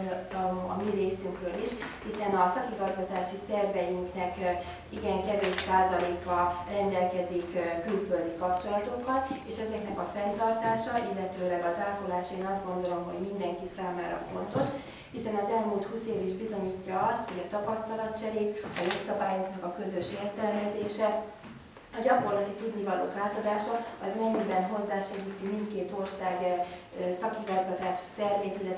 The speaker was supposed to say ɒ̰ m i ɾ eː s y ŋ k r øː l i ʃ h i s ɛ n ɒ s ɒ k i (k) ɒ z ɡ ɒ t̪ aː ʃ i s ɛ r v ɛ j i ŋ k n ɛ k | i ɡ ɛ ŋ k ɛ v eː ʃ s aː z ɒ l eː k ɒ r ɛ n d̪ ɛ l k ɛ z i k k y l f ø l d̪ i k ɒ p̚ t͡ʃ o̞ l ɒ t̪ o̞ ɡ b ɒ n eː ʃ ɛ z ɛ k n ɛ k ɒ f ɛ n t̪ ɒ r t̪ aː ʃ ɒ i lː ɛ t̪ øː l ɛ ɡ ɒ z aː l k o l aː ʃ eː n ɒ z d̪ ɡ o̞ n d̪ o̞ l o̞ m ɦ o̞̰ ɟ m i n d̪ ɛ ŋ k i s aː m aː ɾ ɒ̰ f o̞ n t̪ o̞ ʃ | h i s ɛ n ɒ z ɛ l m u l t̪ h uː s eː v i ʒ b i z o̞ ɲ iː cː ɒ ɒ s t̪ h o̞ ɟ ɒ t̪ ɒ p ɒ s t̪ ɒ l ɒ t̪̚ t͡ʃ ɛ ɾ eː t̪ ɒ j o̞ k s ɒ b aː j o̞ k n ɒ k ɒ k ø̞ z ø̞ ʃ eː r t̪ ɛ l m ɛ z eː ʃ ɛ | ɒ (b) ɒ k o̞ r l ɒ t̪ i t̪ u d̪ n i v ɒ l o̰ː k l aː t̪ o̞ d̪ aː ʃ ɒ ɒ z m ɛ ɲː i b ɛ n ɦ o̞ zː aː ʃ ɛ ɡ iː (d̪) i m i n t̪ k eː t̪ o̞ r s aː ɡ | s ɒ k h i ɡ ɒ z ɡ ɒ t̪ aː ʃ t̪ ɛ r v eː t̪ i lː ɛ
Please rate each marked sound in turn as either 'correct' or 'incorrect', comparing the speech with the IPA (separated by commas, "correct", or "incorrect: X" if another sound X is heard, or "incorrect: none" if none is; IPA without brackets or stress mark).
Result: incorrect: ɡ, incorrect: ɟ, incorrect: t̪